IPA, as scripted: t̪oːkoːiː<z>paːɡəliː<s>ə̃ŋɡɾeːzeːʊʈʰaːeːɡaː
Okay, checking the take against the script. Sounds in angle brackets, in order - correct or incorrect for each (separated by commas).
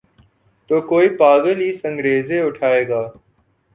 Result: incorrect, correct